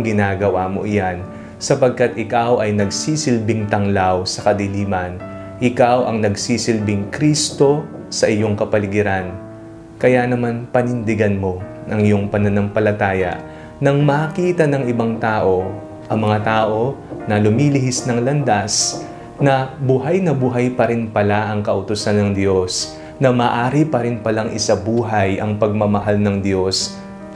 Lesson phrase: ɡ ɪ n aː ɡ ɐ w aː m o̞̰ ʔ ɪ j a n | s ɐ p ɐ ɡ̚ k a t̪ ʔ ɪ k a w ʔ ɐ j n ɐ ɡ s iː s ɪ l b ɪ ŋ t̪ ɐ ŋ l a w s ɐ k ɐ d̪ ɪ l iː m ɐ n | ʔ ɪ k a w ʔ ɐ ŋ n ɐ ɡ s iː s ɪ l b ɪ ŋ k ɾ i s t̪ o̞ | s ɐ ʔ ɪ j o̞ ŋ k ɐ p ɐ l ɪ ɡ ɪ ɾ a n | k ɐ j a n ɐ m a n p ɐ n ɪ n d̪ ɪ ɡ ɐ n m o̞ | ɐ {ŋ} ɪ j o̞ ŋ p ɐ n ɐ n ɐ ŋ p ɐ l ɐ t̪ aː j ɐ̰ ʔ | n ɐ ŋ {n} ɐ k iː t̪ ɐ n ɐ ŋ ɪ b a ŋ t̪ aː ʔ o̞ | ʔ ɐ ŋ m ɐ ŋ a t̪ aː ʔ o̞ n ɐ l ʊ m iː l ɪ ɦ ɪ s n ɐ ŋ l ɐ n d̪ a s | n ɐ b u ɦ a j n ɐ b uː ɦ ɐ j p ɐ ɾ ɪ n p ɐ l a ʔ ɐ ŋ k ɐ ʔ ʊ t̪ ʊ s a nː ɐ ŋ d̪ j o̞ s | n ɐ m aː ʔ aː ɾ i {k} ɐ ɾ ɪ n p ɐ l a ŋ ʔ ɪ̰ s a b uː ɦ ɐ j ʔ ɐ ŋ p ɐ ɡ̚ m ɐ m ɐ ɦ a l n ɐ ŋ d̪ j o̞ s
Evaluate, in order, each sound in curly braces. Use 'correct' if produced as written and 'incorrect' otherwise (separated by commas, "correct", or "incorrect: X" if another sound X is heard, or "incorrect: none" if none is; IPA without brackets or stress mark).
correct, incorrect: m, incorrect: p